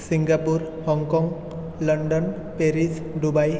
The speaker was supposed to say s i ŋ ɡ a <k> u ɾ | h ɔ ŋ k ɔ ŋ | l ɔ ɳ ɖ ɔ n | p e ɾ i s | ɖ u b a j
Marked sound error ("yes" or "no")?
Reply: yes